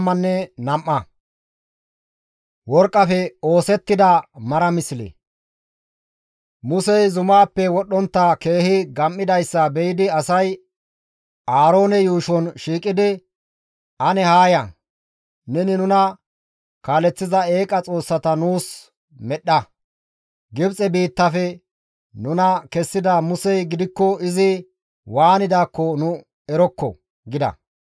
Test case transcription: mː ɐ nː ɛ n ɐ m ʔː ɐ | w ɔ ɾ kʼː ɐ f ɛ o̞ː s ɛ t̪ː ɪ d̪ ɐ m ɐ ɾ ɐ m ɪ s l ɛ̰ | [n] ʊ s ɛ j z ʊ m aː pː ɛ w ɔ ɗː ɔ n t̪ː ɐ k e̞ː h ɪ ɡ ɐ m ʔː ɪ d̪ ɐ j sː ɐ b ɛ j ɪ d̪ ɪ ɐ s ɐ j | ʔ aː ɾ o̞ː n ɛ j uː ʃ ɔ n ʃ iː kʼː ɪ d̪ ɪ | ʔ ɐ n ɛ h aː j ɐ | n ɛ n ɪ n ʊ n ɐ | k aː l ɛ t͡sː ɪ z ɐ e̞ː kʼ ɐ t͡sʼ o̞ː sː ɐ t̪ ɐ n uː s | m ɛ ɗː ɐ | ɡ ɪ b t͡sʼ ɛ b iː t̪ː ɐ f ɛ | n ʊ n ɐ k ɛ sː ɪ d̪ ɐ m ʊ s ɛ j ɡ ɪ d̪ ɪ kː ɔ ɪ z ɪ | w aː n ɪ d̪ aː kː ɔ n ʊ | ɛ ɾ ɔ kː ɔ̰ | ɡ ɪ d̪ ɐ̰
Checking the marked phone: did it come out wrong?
yes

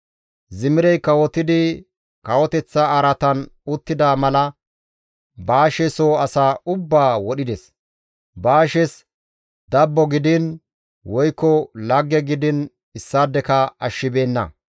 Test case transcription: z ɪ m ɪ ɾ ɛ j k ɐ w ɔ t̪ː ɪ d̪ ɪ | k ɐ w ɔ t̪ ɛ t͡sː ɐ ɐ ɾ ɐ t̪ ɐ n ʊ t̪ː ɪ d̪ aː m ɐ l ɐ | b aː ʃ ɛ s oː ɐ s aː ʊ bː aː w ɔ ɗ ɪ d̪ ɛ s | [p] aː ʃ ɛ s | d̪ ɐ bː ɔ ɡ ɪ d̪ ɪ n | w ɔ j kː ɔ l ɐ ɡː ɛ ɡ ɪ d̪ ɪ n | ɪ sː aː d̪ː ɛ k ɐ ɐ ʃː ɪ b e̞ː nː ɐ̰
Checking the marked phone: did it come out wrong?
yes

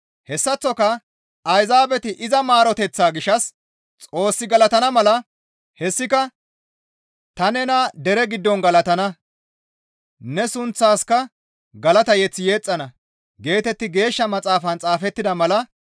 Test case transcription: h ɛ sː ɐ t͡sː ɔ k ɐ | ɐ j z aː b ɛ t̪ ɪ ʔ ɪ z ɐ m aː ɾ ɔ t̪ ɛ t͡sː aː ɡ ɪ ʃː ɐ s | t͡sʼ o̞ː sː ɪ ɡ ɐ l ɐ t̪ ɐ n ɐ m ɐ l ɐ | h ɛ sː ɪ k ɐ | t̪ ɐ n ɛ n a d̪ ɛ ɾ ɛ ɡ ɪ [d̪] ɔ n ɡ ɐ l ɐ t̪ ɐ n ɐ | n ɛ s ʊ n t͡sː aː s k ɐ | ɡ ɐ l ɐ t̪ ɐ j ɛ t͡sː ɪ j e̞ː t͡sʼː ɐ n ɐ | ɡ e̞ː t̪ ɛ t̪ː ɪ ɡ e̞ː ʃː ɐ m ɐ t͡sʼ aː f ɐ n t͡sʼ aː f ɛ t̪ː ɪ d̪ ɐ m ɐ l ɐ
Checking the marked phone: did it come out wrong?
yes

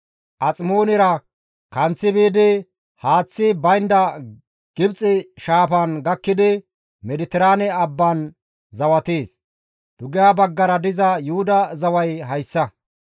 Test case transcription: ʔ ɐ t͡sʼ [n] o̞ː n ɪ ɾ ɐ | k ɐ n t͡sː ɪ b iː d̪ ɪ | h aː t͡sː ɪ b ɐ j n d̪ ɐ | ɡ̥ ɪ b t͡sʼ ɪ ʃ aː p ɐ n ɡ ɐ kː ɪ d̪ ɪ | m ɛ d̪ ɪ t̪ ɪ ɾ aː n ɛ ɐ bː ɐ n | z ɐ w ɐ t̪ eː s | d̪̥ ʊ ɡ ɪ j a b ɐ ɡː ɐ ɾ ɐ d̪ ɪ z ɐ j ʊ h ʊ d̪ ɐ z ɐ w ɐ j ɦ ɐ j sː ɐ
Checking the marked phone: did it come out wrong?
yes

